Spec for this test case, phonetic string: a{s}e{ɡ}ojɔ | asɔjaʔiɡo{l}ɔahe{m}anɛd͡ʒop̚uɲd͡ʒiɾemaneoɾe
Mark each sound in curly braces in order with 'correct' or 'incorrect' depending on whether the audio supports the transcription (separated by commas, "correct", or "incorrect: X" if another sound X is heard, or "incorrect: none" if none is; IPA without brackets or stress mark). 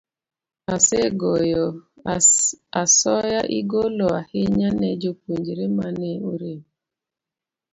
correct, correct, correct, incorrect: ɲ